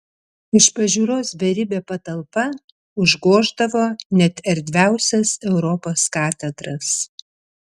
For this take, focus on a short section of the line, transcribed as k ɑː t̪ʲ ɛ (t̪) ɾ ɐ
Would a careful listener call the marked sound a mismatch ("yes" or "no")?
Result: yes